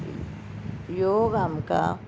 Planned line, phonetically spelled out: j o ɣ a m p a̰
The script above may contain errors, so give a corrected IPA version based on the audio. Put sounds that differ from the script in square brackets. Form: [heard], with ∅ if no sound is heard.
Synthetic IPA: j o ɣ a m [k] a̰